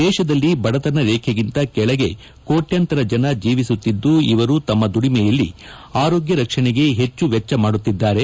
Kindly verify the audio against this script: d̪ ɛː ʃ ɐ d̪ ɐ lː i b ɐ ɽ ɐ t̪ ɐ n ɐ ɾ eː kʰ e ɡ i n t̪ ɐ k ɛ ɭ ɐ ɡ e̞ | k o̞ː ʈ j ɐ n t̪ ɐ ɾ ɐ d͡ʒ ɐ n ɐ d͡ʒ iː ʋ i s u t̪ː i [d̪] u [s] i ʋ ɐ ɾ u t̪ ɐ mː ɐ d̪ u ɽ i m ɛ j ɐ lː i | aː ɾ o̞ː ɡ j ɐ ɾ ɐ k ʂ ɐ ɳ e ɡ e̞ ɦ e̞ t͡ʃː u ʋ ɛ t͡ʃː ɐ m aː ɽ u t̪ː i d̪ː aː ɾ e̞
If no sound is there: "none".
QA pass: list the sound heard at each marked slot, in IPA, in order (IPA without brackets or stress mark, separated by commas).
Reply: d̪ː, none